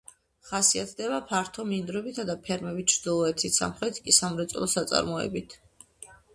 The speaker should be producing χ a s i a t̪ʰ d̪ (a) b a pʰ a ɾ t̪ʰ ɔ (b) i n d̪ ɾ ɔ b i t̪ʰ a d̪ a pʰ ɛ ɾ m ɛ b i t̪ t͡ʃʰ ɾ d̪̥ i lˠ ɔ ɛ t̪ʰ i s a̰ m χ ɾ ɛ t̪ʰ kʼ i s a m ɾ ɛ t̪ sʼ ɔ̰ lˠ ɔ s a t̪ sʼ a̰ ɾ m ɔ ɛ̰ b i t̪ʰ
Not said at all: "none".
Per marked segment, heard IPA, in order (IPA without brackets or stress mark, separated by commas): ɛ, m